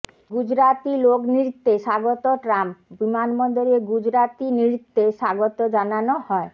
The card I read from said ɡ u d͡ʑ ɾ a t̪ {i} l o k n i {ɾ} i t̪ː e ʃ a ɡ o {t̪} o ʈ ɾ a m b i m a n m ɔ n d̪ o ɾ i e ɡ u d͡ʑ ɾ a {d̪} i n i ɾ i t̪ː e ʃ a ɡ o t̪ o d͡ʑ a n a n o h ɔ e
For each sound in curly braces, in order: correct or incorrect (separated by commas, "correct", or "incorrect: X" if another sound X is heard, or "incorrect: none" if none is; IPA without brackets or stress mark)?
correct, correct, correct, incorrect: t̪